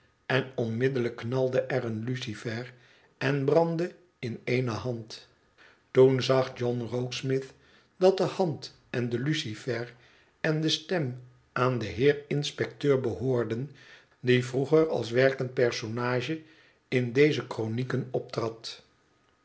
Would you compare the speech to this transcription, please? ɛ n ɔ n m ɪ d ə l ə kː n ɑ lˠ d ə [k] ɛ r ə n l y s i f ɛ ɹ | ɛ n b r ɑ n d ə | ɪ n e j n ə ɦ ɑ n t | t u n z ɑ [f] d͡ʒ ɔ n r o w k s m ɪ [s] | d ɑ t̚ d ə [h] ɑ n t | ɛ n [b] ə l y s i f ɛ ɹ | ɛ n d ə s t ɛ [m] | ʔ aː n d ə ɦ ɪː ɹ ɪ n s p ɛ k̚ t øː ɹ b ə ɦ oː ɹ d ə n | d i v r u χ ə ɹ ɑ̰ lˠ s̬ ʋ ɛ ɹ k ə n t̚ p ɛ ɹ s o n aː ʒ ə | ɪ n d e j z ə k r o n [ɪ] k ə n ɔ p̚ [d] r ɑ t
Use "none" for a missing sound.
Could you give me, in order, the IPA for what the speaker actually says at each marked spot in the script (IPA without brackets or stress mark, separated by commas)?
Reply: ʔ, χ, θ, h, d, m, i, t